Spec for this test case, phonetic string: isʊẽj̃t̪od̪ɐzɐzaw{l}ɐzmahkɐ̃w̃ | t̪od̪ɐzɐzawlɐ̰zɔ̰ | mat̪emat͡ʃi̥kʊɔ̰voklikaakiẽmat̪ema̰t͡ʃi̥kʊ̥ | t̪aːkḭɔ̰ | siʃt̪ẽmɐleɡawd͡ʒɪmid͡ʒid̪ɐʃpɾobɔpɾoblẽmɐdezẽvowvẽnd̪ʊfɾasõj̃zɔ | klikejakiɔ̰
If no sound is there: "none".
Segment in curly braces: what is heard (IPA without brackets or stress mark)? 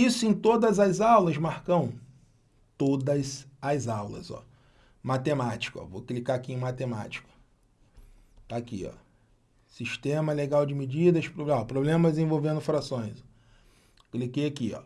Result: l